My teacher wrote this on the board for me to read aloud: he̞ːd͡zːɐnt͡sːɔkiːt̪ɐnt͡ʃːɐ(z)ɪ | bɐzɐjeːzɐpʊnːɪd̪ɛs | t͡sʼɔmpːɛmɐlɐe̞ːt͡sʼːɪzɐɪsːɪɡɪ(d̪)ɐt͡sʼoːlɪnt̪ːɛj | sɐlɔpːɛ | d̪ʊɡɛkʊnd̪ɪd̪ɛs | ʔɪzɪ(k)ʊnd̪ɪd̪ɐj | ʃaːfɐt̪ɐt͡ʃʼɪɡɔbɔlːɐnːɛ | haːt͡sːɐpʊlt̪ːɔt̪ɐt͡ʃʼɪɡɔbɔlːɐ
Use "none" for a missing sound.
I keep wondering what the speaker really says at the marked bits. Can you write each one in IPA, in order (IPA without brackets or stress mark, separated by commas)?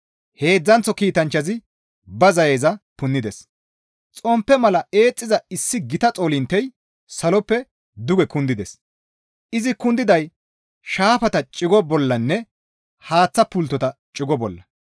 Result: z, t̪, k